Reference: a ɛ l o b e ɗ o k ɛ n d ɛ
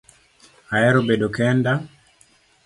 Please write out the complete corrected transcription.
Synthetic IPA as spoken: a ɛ ɾ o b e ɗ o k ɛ n d a

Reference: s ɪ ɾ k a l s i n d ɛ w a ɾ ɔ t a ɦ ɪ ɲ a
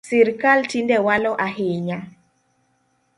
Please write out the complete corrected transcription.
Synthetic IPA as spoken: s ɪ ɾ k a l t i n d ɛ w a l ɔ ʔ a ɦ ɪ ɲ a

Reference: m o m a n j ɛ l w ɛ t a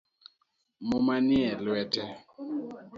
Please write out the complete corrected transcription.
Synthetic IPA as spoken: m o m a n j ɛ l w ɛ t ɛ

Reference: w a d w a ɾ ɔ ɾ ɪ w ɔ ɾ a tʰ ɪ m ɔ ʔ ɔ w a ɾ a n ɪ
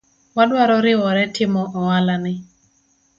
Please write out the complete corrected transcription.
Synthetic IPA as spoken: w a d w a ɾ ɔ ɾ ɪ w ɔ ɾ ɛ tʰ ɪ m ɔ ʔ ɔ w a l a n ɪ

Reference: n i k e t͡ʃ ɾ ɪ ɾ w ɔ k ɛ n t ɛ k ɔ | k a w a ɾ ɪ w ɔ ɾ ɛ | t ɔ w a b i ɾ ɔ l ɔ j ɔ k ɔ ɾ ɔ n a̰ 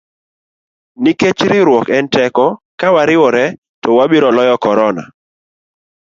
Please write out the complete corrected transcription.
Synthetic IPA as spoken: n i k e t͡ʃ ɾ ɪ ɾ w ɔ k ɛ n t ɛ k ɔ | k a w a ɾ ɪ w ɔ ɾ ɛ | t ɔ w a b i ɾ ɔ l ɔ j ɔ k ɔ ɾ ɔ n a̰

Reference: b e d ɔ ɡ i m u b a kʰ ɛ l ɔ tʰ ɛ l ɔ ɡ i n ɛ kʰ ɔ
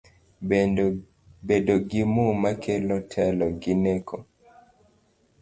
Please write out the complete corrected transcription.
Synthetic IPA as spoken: b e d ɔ ɡ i m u m a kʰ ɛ l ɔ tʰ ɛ l ɔ ɡ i n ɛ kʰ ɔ

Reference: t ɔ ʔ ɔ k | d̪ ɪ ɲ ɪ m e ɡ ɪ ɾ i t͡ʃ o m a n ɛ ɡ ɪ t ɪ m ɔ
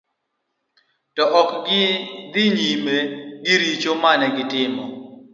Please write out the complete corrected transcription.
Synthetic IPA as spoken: t ɔ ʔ ɔ k | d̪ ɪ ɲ i m e ɡ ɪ ɾ i t͡ʃ o m a n ɛ ɡ ɪ t ɪ m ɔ

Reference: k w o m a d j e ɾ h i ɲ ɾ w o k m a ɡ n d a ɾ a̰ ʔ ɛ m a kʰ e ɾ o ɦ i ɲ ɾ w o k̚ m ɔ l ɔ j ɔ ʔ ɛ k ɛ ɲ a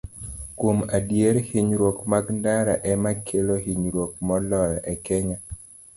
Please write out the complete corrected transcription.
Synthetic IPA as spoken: k w o m a d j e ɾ h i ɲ ɾ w o k m a ɡ n d a ɾ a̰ ʔ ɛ m a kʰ e l o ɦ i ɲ ɾ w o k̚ m ɔ l ɔ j ɔ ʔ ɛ k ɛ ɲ a

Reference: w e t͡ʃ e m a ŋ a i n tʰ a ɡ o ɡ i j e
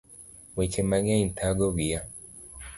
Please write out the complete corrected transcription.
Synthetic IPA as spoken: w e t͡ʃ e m a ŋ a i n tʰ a ɡ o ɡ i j a

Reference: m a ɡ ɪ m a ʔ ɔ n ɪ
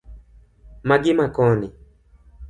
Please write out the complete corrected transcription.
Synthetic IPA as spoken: m a ɡ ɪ m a k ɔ n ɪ

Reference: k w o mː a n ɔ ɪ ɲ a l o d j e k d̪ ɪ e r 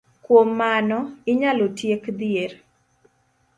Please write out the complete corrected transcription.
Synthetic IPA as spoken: k w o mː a n ɔ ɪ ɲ a l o t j e k d̪ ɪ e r

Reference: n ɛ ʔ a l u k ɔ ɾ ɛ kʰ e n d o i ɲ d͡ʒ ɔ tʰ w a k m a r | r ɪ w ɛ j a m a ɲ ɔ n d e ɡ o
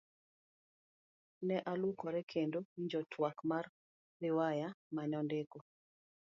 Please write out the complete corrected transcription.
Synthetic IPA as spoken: n ɛ ʔ a l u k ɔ ɾ ɛ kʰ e n d o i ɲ d͡ʒ ɔ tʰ w a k m a r | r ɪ w a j a m a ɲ ɔ n d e k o

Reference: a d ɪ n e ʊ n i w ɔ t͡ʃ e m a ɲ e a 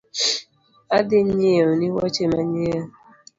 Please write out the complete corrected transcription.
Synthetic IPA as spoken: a d ɪ ɲ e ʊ n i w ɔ t͡ʃ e m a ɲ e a

